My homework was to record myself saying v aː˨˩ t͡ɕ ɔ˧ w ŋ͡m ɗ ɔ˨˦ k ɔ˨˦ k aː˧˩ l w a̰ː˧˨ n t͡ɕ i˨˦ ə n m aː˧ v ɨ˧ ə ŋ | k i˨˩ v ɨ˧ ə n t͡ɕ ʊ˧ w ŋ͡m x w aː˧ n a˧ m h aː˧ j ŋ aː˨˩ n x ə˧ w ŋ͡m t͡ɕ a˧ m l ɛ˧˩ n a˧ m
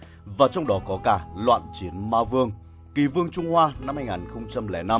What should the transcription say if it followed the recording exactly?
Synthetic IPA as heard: v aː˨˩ t͡ɕ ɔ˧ w ŋ͡m ɗ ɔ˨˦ k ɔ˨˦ k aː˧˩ l w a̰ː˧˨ n t͡ɕ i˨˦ ə n m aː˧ v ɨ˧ ə ŋ | k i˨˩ v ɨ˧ ə ŋ t͡ɕ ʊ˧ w ŋ͡m h w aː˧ n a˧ m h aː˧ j ŋ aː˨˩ n x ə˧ w ŋ͡m t͡ɕ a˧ m l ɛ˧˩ n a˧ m